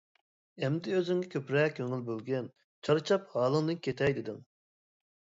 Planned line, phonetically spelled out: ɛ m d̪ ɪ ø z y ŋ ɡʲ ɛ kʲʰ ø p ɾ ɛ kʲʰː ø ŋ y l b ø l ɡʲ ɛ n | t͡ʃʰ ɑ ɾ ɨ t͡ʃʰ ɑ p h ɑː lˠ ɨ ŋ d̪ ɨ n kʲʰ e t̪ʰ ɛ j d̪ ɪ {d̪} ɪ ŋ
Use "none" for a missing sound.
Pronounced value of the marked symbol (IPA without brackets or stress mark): d̪